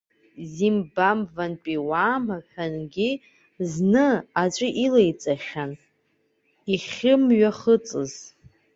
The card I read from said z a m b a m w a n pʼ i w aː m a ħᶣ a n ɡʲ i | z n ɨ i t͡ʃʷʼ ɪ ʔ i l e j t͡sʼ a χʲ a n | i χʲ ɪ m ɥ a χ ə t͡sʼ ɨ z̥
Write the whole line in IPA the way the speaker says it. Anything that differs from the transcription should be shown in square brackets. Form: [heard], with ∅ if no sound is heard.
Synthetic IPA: z [i] m b a m [v] a n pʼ i w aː m a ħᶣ a n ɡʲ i | z n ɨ [a] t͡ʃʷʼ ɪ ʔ i l e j t͡sʼ a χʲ a n | i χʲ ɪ m ɥ a χ ə t͡sʼ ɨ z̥